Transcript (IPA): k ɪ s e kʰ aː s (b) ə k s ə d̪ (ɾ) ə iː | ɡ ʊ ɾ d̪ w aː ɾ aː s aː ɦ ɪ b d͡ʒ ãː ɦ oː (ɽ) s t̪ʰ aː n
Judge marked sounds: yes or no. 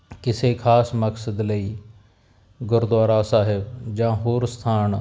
no, no, no

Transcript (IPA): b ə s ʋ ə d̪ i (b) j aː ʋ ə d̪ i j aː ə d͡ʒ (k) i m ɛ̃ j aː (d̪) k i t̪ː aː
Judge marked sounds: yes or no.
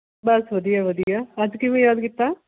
no, yes, yes

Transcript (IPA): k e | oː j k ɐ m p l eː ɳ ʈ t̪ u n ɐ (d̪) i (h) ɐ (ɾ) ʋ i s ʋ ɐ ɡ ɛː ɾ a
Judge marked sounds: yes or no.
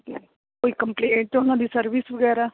yes, no, yes

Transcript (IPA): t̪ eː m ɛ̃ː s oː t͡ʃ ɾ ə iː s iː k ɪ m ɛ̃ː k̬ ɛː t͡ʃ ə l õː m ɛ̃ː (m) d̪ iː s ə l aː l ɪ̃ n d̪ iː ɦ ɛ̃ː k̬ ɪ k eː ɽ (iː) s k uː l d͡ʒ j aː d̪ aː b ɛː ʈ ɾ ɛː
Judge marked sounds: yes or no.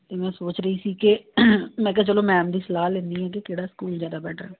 yes, no

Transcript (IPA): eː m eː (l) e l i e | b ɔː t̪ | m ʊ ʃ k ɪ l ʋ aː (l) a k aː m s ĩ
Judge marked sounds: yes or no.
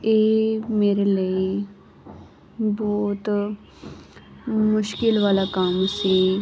no, yes

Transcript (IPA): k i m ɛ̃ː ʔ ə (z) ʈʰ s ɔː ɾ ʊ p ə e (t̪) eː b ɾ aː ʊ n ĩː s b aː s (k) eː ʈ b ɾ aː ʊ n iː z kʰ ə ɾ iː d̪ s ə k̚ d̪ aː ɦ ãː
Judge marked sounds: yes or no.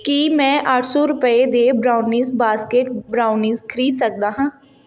no, no, yes

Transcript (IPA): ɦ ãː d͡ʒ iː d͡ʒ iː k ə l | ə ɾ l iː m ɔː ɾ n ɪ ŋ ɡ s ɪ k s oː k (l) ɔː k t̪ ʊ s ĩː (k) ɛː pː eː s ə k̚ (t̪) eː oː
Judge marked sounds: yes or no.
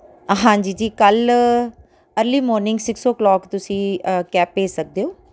yes, yes, no

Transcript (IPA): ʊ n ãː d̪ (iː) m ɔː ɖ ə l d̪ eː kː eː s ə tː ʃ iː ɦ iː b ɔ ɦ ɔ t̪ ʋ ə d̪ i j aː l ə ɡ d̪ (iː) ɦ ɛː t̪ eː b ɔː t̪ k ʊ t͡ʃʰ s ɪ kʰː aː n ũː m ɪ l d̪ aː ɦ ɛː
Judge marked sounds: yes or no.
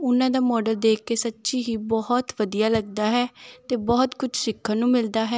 no, no

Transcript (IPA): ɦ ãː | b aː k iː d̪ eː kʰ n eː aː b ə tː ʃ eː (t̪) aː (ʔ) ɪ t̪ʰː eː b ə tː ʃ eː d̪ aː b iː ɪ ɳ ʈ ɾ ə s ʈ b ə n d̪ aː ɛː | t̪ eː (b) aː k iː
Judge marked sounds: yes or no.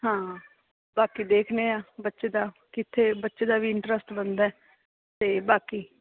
no, no, yes

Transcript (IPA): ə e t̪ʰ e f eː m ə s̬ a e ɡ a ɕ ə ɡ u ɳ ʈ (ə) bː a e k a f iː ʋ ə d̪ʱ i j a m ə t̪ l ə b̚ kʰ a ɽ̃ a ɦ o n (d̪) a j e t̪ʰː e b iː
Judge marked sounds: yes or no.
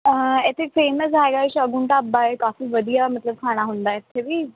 no, yes

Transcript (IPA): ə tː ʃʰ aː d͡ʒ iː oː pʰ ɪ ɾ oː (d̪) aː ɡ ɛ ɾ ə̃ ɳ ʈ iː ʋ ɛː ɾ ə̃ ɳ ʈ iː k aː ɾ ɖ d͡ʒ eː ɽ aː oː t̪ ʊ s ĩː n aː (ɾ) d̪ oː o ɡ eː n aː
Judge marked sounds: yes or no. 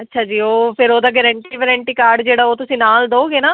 yes, no

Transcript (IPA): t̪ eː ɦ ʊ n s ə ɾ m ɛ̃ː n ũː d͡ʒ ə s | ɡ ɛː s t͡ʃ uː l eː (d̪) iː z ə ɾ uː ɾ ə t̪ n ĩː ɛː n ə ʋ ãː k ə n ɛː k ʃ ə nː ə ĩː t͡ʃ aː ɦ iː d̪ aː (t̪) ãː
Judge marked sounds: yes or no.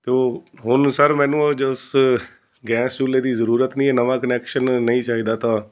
yes, yes

